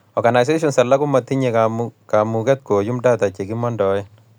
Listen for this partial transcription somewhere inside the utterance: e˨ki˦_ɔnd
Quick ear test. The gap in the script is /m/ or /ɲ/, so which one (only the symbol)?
m